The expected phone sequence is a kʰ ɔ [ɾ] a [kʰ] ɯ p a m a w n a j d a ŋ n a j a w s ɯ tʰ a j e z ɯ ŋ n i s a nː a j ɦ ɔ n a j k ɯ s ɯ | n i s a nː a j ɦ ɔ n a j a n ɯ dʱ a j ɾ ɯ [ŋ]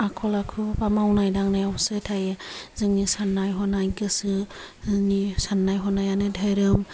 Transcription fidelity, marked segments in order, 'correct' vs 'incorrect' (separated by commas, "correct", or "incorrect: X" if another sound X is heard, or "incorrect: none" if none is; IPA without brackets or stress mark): incorrect: l, correct, incorrect: m